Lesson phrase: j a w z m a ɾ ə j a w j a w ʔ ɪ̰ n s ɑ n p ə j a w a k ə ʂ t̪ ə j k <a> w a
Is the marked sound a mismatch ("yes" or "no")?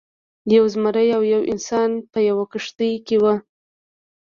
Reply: yes